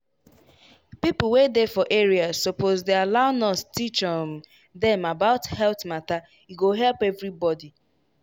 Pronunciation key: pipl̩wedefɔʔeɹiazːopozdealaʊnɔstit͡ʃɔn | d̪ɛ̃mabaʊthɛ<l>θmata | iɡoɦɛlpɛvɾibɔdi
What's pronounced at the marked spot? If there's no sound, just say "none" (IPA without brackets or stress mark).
l